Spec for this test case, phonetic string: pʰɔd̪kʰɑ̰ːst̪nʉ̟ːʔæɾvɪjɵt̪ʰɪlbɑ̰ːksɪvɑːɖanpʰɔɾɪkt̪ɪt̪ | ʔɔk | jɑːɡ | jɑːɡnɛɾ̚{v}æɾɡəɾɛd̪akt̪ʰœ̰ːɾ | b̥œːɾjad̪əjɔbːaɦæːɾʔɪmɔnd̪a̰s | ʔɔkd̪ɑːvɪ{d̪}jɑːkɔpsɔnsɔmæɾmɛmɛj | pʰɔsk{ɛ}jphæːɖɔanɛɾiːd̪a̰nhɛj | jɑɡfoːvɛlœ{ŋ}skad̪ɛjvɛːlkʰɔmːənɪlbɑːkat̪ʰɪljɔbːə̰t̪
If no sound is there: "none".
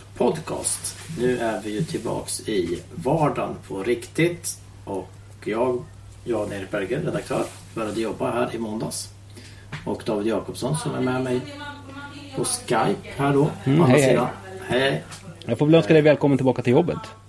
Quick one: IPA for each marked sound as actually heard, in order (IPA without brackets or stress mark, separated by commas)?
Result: b, d̪, a, n